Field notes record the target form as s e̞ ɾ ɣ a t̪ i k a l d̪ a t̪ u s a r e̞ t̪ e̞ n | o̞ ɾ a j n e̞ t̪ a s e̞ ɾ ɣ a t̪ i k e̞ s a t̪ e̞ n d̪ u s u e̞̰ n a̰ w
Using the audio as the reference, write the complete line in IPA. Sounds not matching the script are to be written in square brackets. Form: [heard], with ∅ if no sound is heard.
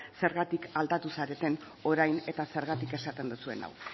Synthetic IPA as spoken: s e̞ ɾ ɣ a t̪ i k a l d̪ a t̪ u s a [ɾ] e̞ t̪ e̞ n | o̞ ɾ a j n e̞ t̪ a s e̞ ɾ ɣ a t̪ i k e̞ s a t̪ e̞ n d̪ u s u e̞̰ n a̰ w